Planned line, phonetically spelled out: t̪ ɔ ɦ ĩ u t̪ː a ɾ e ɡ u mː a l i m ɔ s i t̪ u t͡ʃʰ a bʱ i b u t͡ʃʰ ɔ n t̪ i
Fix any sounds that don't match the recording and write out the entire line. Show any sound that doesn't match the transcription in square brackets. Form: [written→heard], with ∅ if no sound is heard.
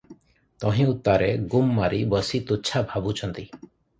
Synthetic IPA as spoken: t̪ ɔ ɦ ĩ u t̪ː a ɾ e ɡ u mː a [l→ɾ] i [m→b] ɔ s i t̪ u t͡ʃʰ a bʱ [i→a] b u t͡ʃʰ ɔ n t̪ i